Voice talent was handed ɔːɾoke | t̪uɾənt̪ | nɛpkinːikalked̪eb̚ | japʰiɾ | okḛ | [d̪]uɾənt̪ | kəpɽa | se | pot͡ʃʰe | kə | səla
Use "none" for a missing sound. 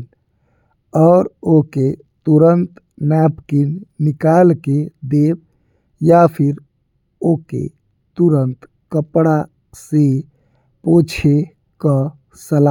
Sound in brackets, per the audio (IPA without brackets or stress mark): t̪